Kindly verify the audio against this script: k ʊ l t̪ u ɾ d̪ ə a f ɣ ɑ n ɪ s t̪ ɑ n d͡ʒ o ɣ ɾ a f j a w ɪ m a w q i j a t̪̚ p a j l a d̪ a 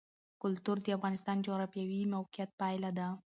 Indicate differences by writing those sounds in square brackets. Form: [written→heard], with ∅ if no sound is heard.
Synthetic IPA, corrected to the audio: k ʊ l t̪ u ɾ d̪ ə a f ɣ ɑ n ɪ s t̪ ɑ n d͡ʒ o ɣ ɾ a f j a w [ɪ→i] m a w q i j a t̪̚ p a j l a d̪ a